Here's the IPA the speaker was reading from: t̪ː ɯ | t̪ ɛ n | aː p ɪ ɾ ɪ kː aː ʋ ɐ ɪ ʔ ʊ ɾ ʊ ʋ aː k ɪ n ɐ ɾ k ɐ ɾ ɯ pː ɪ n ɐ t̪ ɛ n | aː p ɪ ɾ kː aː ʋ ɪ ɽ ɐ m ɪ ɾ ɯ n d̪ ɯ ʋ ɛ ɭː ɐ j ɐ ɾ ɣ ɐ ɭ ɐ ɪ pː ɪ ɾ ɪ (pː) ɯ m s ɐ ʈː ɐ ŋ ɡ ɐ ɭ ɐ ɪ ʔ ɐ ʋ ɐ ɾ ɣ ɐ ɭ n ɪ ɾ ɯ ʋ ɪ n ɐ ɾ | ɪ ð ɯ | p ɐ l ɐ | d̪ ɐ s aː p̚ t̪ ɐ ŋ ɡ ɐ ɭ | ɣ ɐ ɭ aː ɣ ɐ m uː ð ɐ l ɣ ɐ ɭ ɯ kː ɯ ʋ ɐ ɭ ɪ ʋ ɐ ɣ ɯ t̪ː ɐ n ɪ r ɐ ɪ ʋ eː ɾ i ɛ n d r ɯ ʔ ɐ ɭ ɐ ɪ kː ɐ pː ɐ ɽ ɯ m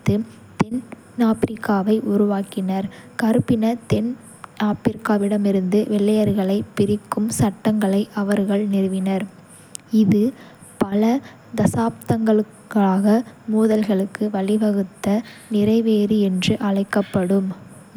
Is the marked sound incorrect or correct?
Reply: incorrect